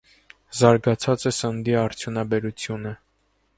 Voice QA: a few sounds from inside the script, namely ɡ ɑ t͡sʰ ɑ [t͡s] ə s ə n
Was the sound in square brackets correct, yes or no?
yes